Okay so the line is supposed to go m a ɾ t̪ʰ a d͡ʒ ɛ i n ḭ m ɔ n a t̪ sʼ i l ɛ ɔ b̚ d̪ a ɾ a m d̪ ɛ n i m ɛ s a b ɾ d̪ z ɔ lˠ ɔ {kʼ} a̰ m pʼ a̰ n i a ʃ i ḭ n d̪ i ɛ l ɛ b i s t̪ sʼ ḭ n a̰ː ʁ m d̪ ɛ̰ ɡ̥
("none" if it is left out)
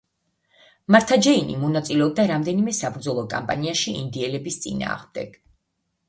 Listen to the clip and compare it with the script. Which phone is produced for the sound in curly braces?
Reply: kʼ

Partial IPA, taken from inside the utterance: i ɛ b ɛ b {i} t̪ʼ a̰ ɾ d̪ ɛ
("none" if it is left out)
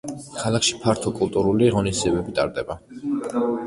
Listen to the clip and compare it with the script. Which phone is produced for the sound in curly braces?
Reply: i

